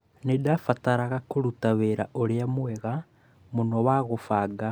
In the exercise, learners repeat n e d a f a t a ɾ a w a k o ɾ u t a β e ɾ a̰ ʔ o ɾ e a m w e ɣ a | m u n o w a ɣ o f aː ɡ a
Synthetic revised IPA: n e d a f a t a ɾ a ɣ a k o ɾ u t a β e ɾ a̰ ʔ o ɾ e a m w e ɣ a | m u n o w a ɣ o f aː ɡ a